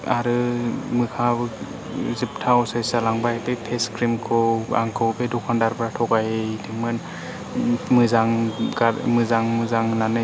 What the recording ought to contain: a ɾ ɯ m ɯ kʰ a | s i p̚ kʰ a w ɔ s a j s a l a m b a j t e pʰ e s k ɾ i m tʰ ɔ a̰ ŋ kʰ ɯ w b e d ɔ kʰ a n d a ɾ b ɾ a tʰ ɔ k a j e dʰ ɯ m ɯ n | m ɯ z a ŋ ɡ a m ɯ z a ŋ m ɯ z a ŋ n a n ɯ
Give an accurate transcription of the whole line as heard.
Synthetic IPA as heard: a ɾ ɯ m ɯ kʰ a | z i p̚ tʰ a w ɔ s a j s a l a ŋ b a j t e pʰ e s k ɾ i m kʰ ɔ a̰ ŋ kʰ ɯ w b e d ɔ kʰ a n d a ɾ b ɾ a tʰ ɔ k a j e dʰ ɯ m ɯ n | m ɯ z a ŋ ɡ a m ɯ z a ŋ m ɯ z a ŋ n a n ɯ